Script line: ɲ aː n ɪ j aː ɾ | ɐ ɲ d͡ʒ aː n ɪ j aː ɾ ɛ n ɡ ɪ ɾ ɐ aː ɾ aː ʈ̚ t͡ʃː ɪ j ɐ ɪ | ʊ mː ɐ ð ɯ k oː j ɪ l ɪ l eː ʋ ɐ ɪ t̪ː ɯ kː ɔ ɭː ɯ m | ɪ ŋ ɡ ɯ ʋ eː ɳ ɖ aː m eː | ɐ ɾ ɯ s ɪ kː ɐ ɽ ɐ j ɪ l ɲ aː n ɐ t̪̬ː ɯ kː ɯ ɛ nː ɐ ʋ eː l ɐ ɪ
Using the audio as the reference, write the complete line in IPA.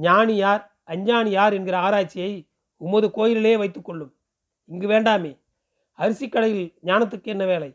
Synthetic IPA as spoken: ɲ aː n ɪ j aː ɾ | ɐ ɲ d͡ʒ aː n ɪ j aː ɾ ɛ n ɡ ɪ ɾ ɐ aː ɾ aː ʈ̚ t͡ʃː ɪ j ɐ ɪ | ʊ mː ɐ ð ɯ k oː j ɪ l ɪ l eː ʋ ɐ ɪ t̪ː ɯ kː ɔ ɭː ɯ m | ɪ ŋ ɡ ɯ ʋ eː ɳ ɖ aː m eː | ɐ ɾ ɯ s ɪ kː ɐ ɽ ɐ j ɪ l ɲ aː n ɐ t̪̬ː ɯ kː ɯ ɛ nː ɐ ʋ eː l ɐ ɪ